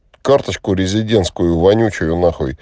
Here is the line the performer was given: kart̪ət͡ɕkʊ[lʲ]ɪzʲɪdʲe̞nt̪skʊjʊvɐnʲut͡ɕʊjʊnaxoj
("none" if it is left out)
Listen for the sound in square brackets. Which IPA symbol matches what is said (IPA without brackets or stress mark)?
ɾʲ